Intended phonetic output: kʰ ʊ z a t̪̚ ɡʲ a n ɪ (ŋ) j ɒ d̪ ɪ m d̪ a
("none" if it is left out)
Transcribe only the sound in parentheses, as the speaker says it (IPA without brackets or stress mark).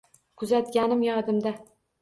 m